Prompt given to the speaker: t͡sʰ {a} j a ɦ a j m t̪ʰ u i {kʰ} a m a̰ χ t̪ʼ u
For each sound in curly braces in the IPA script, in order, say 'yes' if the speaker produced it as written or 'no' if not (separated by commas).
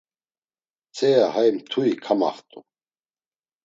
no, yes